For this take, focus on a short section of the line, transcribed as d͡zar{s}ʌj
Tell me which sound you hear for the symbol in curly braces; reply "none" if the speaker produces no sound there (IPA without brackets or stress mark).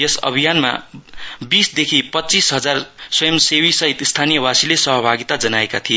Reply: s